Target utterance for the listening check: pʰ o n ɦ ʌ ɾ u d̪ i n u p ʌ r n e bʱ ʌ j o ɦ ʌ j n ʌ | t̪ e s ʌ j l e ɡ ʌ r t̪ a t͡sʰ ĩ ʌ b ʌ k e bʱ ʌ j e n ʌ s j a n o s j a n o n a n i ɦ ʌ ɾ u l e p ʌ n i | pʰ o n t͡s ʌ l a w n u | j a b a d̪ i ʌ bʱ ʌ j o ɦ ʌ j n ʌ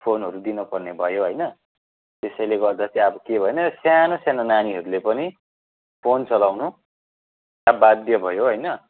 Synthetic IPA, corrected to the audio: pʰ o n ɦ ʌ ɾ u d̪ i n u p ʌ r n e bʱ ʌ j o ɦ ʌ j n ʌ | t̪ e s ʌ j l e ɡ ʌ r d̪ a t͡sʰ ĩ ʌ b ʌ k e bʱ ʌ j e n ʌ s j a n o s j a n o n a n i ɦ ʌ ɾ u l e p ʌ n i | pʰ o n t͡s ʌ l a w n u | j a b a d̪ j ʌ bʱ ʌ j o ɦ ʌ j n ʌ